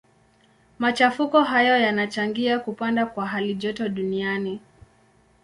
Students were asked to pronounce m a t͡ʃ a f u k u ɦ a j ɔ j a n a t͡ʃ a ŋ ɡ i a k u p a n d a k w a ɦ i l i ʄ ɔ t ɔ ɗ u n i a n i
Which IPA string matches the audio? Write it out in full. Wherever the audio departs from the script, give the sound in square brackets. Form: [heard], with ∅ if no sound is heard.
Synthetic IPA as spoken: m a t͡ʃ a f u k [ɔ] ɦ a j ɔ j a n a t͡ʃ a ŋ ɡ i a k u p a n d a k w a ɦ [a] l i ʄ ɔ t ɔ ɗ u n i a n i